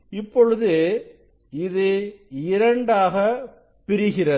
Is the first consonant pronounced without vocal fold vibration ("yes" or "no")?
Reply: yes